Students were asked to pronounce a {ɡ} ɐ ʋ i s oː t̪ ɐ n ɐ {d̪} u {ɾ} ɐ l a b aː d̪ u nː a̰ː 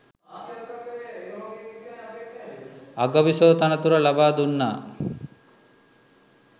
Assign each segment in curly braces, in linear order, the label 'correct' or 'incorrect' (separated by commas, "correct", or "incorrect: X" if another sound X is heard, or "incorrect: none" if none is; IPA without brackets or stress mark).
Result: correct, incorrect: t̪, correct